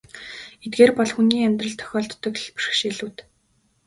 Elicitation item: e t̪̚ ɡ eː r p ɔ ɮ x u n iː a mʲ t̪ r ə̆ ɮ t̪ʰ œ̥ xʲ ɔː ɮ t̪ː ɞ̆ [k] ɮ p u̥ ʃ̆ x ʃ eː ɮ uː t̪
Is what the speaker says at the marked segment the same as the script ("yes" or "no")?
yes